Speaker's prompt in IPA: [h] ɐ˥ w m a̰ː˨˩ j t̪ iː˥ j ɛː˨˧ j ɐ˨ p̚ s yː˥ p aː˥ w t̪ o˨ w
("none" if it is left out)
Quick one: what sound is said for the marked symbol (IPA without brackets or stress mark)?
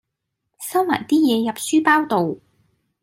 s